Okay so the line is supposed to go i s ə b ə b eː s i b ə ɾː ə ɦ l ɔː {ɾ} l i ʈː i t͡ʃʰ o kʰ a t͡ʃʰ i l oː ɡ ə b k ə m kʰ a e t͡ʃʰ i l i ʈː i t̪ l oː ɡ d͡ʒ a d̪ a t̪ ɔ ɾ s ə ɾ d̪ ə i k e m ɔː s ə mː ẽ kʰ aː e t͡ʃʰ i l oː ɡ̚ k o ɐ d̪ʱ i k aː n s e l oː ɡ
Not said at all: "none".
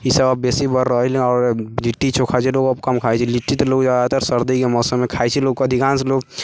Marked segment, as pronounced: ɾ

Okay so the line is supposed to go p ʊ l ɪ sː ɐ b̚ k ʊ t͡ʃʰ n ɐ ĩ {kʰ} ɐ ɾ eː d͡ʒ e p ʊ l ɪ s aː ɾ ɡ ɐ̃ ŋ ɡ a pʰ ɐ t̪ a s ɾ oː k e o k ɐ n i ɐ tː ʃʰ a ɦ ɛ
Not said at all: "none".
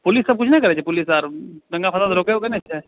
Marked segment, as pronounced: k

